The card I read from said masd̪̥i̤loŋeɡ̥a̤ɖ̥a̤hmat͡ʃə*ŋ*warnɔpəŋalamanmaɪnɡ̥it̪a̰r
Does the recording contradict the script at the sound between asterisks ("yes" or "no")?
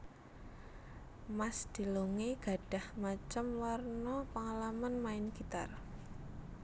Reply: yes